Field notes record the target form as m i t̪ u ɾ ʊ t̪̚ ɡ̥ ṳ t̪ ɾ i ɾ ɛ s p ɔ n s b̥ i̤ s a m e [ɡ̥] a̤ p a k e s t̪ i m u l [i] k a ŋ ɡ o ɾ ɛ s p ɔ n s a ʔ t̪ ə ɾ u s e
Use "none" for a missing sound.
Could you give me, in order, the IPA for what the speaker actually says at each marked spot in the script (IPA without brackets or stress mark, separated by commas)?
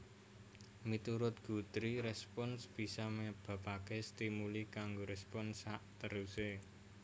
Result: b̥, i